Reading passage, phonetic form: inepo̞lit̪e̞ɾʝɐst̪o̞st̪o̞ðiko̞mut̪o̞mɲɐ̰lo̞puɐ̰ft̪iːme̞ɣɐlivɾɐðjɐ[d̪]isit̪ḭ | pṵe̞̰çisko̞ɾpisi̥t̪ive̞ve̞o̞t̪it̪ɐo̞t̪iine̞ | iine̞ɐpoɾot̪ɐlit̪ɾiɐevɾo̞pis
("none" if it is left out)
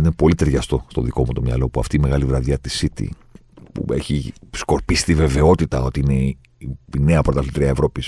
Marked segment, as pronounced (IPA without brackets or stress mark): t̪